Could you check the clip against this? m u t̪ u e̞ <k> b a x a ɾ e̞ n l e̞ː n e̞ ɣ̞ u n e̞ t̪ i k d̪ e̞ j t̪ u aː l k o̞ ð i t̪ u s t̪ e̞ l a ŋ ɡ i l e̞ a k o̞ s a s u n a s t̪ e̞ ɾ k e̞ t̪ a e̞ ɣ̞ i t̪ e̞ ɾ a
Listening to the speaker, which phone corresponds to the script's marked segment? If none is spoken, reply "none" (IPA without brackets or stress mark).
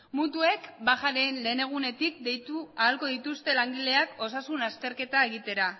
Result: k